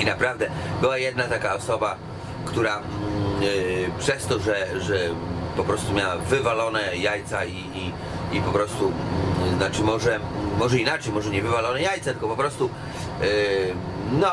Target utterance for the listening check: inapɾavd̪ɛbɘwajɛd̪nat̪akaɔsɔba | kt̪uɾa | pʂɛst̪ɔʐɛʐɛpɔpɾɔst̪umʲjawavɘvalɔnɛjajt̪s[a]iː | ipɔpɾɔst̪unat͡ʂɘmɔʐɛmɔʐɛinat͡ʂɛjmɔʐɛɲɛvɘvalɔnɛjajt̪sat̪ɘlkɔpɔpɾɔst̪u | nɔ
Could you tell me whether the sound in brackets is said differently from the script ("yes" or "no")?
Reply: no